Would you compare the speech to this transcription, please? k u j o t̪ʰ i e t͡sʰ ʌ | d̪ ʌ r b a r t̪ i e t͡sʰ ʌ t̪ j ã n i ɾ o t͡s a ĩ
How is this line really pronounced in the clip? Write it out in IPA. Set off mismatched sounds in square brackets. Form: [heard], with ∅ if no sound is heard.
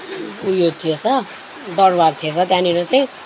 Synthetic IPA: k u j o t̪ʰ i e t͡sʰ ʌ | d̪ ʌ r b a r [t̪ʰ] i e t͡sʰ ʌ t̪ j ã n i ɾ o t͡s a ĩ